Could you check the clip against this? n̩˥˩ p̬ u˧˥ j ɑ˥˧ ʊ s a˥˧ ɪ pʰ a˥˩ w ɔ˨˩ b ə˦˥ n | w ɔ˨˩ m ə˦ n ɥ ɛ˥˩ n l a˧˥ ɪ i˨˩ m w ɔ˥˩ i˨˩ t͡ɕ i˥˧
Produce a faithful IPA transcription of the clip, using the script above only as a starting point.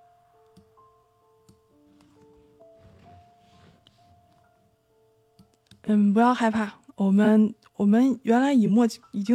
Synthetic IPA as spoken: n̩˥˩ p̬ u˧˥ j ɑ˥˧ ʊ x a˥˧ ɪ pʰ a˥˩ w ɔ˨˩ m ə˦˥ n | w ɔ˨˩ m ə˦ n ɥ ɛ˧˥ n l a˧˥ ɪ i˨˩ m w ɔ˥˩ i˨˩ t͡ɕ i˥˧